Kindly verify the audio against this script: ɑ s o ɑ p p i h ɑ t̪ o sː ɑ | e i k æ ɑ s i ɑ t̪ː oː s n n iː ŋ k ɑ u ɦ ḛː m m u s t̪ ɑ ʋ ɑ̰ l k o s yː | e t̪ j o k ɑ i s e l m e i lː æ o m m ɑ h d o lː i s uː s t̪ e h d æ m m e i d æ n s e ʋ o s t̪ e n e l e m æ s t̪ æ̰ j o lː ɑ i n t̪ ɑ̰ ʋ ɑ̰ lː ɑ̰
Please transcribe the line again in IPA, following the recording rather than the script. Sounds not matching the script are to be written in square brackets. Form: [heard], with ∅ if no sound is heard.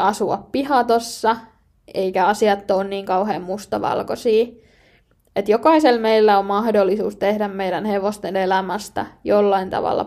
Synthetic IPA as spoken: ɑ s [u] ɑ p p i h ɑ t̪ o sː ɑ | e i k æ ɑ s i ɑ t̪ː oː [∅] n n iː ŋ k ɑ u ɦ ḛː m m u s t̪ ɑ ʋ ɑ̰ l k o s [iː] | e t̪ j o k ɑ i s e l m e i lː æ o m m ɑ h d o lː i s uː s t̪ e h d æ m m e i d æ n [h] e ʋ o s t̪ e n e l [æ] m æ s t̪ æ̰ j o lː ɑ i n t̪ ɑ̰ ʋ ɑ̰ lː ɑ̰